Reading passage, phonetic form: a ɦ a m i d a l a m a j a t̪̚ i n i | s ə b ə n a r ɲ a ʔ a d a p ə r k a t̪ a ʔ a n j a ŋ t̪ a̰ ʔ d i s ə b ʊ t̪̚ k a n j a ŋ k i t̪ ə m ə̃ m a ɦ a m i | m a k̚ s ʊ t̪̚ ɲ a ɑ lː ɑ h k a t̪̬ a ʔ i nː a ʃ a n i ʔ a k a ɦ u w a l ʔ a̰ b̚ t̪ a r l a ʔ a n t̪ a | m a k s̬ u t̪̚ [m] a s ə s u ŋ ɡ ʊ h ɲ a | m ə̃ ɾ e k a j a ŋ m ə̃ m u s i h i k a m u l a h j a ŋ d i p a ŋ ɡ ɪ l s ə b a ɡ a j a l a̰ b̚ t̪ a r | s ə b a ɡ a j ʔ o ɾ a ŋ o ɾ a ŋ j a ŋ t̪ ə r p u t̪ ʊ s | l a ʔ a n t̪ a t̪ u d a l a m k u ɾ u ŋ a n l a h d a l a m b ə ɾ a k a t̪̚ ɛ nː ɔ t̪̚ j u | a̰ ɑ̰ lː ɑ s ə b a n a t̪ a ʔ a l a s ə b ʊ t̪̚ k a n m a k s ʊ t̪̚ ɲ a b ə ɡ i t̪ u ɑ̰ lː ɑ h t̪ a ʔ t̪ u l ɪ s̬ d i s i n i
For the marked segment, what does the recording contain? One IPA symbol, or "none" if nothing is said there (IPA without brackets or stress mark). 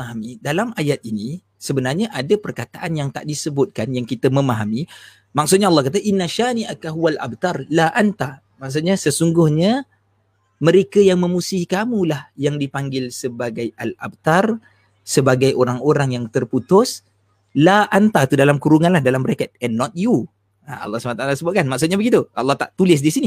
ɲ